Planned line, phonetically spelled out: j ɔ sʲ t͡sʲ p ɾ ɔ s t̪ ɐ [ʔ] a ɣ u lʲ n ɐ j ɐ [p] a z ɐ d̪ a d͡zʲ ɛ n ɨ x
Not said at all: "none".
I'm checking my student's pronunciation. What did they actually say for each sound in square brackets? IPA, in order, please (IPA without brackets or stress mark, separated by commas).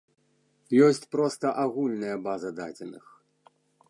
ʔ, b